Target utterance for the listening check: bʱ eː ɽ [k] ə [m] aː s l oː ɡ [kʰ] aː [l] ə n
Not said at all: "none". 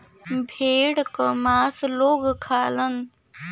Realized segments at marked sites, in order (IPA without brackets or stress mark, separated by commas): k, m, kʰ, l